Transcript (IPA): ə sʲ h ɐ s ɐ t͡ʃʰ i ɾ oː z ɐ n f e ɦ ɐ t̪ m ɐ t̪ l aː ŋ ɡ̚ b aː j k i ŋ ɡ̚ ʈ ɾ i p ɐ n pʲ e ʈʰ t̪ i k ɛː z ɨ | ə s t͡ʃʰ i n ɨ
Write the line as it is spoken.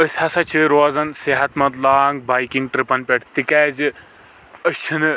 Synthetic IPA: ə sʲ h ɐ s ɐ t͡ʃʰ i ɾ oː z ɐ n s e ɦ ɐ t̪ m ɐ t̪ l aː ŋ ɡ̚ b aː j k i ŋ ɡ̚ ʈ ɾ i p ɐ n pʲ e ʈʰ t̪ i k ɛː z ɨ | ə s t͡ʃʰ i n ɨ